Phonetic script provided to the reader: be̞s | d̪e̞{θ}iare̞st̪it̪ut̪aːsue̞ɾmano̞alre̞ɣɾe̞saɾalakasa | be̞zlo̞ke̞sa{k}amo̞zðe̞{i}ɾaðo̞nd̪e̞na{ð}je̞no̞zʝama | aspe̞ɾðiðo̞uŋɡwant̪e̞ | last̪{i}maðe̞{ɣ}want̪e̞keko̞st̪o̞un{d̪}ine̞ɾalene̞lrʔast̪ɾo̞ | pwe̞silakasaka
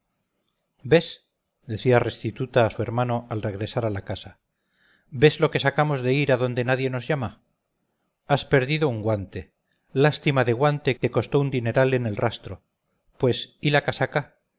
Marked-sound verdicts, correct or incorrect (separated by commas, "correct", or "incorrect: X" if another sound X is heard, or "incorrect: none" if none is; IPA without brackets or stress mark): correct, correct, correct, correct, correct, correct, correct